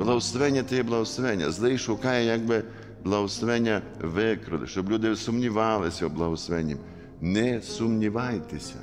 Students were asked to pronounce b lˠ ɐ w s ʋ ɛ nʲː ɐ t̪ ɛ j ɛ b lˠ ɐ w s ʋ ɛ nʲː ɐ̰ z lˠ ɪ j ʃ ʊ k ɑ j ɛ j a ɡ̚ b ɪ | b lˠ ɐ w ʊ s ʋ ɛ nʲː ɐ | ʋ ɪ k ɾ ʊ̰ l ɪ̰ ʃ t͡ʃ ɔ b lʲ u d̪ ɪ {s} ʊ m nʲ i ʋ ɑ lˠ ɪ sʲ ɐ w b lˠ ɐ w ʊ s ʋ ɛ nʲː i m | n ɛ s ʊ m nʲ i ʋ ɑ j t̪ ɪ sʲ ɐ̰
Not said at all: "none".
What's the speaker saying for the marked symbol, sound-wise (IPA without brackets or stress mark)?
s